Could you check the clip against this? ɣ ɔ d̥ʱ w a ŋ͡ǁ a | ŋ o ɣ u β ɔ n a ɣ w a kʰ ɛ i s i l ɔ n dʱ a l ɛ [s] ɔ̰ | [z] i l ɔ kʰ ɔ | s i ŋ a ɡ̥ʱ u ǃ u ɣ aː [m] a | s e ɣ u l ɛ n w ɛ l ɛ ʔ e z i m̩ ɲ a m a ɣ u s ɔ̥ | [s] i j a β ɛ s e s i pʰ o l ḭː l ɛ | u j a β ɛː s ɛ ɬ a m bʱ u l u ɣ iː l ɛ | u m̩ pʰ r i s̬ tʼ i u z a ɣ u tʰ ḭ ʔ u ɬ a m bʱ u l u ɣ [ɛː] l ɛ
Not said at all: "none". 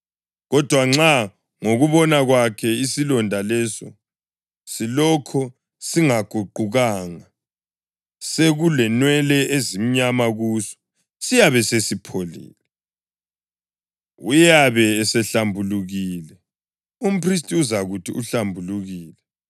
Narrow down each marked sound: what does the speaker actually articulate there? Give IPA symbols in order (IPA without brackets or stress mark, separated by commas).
s, s, ŋ, s, iː